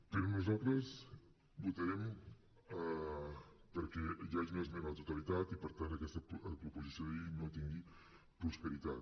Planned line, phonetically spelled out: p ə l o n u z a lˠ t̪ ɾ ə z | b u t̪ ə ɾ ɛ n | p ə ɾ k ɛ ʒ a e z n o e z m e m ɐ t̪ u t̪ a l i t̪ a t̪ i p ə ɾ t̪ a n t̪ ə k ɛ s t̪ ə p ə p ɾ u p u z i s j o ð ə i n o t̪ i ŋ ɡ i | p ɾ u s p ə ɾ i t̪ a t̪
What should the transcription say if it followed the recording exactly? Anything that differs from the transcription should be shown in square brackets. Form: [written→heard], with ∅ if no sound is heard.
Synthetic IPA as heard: p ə [l→ɾ] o n u z a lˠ t̪ ɾ ə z | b u t̪ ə ɾ ɛ [n→m] | p ə ɾ k ɛ ʒ a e z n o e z m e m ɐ t̪ u t̪ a l i t̪ a t̪ i p ə ɾ t̪ a n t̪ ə k ɛ s t̪ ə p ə p ɾ u p u z i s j o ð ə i n o t̪ i ŋ ɡ i | p ɾ u s p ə ɾ i t̪ a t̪